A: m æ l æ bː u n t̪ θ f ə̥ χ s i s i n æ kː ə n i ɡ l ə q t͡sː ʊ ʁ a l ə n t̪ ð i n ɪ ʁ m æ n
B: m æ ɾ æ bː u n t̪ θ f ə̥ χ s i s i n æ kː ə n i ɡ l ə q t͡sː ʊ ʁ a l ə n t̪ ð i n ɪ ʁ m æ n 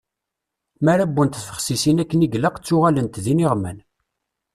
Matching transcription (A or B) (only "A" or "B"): B